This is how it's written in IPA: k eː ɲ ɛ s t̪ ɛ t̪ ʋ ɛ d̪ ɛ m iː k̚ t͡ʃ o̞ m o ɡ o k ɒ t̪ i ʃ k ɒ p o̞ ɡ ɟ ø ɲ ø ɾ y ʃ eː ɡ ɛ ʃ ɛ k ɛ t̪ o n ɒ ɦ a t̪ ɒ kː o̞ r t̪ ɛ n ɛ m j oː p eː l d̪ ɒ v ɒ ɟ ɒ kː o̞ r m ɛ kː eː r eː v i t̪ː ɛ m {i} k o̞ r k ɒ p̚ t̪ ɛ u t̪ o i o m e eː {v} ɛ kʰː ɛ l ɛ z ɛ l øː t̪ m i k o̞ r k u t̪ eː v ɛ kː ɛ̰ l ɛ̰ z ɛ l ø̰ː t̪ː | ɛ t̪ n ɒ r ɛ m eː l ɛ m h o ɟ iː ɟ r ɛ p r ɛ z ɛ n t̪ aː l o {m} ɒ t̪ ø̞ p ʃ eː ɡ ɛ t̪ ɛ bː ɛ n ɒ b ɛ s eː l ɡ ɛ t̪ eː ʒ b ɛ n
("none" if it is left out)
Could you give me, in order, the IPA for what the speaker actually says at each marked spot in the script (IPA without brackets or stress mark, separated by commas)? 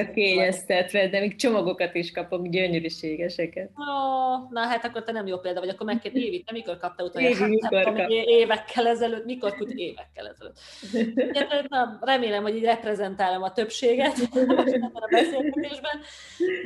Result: i, v, m